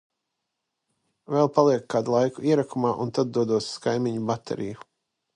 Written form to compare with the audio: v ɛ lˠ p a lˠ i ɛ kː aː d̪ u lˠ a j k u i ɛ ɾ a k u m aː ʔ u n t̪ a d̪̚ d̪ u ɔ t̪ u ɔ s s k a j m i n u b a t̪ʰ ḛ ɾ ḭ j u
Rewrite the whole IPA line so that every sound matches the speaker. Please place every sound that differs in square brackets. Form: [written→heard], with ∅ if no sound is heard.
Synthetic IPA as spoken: v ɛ lˠ p a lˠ i ɛ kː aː d̪ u lˠ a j k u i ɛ ɾ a k u m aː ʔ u n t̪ a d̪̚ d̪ u ɔ [t̪→d̪] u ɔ s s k a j m i [n→ɲ] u b a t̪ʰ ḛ ɾ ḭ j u